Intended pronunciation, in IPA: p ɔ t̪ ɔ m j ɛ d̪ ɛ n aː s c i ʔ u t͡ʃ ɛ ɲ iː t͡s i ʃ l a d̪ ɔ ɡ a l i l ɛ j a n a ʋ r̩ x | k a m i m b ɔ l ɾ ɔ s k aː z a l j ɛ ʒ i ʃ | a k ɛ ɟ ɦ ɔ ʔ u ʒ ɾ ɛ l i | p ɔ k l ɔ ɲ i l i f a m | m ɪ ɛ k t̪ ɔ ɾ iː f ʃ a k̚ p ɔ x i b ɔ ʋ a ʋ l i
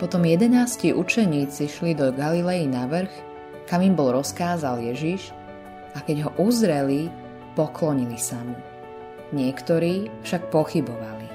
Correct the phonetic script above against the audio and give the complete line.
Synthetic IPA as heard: p ɔ t̪ ɔ m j ɛ d̪ ɛ n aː s c i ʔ u t͡ʃ ɛ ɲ iː t͡s i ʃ l i d̪ ɔ ɡ a l i l ɛ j i n a ʋ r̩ x | k a m i m b ɔ l ɾ ɔ s k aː z a l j ɛ ʒ i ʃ | a k ɛ ɟ ɦ ɔ ʔ u z ɾ ɛ l i | p ɔ k l ɔ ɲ i l i s a m | ɲ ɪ ɛ k t̪ ɔ ɾ iː f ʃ a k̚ p ɔ x i b ɔ ʋ a l i